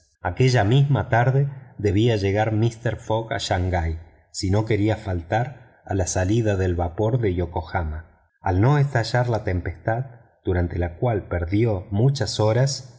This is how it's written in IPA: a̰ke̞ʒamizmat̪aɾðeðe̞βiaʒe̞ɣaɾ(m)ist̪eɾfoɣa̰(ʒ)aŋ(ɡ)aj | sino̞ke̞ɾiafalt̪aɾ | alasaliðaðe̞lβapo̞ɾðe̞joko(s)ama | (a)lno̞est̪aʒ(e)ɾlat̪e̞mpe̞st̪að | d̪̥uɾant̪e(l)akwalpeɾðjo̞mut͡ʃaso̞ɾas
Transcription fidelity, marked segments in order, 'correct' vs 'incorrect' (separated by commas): correct, incorrect, correct, incorrect, correct, incorrect, correct